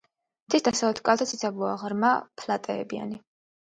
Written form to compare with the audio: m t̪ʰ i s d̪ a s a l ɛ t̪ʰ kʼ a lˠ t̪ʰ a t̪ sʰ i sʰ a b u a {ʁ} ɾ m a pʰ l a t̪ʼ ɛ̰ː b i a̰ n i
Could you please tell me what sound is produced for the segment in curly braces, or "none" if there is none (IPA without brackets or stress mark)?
ʁ